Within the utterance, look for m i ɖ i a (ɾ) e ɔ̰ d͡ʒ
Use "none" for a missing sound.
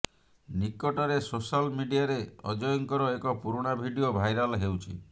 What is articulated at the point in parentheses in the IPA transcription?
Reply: ɾ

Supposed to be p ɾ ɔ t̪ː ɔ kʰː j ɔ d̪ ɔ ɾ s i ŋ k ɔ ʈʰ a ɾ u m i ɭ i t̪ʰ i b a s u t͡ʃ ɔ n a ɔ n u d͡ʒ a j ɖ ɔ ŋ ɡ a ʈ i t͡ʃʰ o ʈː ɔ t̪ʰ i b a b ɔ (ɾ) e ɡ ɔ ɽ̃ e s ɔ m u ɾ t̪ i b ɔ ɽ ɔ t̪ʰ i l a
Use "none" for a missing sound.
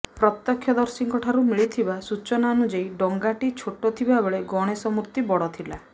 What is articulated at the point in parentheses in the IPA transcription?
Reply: ɭ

